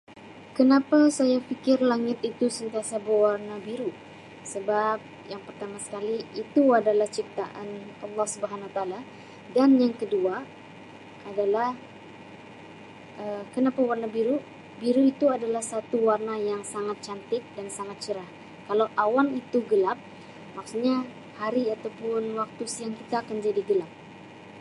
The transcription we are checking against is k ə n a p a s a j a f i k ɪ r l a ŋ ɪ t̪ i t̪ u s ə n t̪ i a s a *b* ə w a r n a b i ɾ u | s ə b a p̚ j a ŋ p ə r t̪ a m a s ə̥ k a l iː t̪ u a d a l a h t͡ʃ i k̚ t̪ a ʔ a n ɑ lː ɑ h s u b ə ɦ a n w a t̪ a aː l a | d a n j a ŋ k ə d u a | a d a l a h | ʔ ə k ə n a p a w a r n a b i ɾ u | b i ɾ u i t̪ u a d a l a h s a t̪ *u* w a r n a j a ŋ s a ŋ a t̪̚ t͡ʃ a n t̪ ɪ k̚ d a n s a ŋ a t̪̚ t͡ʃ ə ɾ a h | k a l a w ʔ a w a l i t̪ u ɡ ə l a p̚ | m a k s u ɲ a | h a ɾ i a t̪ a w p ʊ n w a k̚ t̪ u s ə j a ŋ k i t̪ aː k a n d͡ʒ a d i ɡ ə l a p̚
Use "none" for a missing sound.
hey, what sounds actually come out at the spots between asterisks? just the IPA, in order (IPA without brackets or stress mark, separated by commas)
b, u